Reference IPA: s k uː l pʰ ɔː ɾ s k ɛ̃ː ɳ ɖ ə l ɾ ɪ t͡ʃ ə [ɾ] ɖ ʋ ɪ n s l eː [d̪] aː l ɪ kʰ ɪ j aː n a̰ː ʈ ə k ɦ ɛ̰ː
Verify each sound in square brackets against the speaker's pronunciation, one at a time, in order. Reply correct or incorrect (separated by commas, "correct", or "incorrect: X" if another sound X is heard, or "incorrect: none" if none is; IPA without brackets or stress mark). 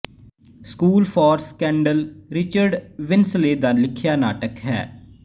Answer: correct, correct